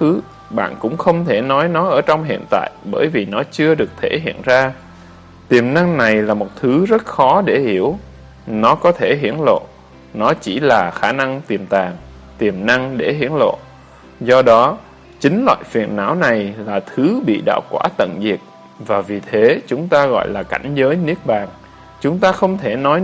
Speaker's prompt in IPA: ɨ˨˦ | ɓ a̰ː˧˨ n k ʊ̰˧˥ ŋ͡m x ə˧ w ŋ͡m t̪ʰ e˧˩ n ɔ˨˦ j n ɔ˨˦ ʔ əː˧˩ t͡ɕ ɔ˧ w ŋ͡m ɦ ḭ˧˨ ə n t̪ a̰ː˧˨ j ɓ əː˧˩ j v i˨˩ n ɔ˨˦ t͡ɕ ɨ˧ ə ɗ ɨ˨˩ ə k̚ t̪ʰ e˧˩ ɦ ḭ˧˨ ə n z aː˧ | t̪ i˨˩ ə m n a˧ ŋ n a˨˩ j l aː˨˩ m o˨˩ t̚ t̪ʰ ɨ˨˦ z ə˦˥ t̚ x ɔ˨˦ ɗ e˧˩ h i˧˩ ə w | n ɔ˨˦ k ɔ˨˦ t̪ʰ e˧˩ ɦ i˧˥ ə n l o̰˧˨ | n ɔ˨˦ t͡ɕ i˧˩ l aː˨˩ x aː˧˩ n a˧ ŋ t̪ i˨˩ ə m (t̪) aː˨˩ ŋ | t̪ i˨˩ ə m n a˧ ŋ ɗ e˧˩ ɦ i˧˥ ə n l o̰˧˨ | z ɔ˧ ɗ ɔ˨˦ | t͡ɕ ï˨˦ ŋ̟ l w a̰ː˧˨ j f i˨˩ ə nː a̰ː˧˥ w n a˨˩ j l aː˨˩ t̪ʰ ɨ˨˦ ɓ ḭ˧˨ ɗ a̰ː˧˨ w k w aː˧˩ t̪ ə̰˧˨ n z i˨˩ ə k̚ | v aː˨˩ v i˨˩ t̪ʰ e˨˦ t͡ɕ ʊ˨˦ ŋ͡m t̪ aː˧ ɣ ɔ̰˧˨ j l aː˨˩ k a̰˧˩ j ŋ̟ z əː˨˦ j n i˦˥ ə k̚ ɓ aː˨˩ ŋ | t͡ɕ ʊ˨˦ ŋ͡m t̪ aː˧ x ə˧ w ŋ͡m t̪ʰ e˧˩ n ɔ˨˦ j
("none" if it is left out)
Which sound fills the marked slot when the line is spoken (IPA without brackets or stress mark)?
t̪